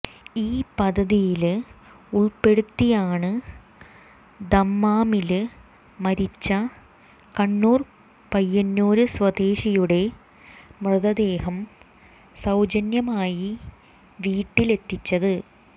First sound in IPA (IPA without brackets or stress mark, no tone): iː